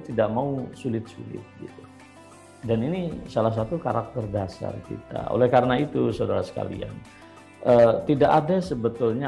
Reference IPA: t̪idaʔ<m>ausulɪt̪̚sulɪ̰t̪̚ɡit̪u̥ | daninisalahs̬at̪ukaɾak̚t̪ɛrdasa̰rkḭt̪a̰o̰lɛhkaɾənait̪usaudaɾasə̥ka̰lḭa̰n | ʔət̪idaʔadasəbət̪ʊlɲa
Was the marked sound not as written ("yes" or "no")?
no